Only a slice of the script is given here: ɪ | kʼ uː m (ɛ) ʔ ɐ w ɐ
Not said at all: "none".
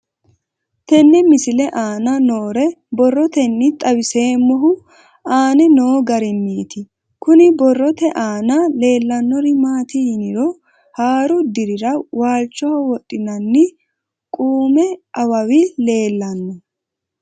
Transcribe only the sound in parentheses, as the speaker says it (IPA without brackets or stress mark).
ɛ